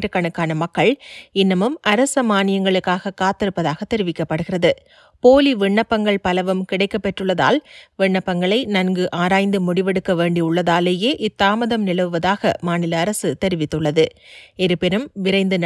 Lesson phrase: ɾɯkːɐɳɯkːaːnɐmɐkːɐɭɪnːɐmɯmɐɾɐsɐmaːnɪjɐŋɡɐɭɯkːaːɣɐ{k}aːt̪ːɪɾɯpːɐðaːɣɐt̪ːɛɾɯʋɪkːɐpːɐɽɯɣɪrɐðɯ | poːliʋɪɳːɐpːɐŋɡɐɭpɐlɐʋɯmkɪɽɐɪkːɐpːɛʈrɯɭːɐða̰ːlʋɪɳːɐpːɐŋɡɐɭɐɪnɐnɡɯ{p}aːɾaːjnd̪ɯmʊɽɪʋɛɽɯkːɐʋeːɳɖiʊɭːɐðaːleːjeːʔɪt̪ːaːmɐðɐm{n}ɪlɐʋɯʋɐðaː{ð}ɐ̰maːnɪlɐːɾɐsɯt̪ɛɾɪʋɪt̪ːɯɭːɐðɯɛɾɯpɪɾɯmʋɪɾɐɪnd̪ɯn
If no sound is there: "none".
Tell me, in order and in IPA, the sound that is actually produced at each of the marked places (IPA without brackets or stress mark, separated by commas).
k, ʔ, n, ɣ